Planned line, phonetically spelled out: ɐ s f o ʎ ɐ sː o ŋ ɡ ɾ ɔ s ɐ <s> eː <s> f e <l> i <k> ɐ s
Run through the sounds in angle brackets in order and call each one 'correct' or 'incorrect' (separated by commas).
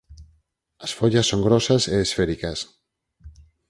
correct, correct, incorrect, correct